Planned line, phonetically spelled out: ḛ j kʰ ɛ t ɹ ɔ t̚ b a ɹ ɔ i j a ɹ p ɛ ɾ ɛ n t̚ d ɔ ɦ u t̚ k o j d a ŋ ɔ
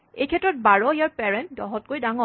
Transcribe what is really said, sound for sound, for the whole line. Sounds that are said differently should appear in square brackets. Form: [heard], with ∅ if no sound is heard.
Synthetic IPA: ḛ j kʰ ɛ t ɹ ɔ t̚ b a ɹ ɔ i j a ɹ p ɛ [ɹ] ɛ n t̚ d ɔ ɦ [ɔ] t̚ k o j d a ŋ ɔ